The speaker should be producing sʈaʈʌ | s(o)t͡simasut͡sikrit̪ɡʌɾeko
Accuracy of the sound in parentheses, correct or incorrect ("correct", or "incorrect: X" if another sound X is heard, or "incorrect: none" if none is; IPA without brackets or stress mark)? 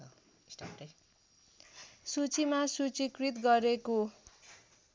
incorrect: u